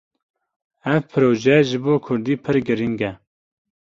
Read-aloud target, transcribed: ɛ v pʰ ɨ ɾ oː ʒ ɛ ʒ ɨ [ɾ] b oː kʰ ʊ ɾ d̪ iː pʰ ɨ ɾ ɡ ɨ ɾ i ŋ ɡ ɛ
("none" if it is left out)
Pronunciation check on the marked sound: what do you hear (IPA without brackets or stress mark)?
none